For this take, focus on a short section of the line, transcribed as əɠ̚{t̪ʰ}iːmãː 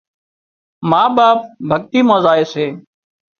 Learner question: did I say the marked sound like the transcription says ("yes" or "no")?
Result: no